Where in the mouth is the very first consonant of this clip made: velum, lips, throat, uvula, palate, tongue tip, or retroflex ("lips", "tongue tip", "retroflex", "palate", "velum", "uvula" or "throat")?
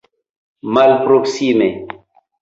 lips